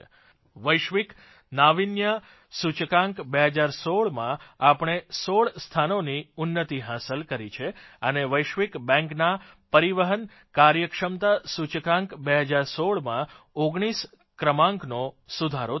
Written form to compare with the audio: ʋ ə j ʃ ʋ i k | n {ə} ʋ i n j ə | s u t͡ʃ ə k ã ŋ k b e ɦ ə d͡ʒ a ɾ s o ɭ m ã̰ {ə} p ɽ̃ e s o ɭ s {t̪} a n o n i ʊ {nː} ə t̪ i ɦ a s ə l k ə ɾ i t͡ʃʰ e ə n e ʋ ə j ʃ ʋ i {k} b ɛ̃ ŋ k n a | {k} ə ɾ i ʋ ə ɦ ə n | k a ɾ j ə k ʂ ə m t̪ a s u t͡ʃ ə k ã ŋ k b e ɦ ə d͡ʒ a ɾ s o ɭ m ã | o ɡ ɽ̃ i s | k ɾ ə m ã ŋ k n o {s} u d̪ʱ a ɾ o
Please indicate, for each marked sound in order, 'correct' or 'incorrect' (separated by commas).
incorrect, incorrect, incorrect, correct, correct, incorrect, correct